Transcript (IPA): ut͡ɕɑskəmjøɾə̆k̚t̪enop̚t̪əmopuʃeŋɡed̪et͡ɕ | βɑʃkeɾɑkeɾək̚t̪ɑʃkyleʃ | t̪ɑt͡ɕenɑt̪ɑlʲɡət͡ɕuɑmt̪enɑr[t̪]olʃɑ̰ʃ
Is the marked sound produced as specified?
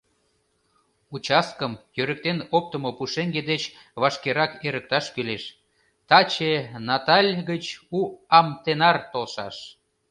yes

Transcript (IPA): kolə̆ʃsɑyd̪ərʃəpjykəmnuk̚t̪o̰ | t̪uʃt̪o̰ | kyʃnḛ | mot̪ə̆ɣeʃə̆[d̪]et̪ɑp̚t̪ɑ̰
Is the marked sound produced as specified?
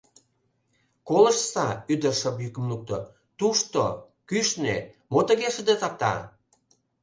yes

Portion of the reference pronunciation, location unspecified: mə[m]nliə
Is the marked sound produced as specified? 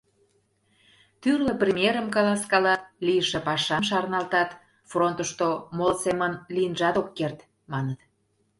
no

